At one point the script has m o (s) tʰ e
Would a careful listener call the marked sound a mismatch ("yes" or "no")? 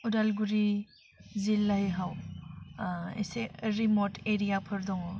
yes